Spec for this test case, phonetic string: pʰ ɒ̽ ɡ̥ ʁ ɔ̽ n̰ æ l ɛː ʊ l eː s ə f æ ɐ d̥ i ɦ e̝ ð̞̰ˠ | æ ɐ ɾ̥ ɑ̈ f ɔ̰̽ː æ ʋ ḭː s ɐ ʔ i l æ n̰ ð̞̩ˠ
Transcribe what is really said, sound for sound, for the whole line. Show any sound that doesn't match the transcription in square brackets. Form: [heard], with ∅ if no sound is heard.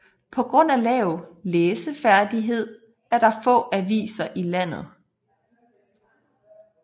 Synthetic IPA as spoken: pʰ ɒ̽ ɡ̥ ʁ ɔ̽ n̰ æ l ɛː ʊ l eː s ə f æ ɐ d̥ i ɦ e̝ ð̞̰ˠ | æ ɐ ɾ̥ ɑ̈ f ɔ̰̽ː æ ʋ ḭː s ɐ ʔ i l æ n̰ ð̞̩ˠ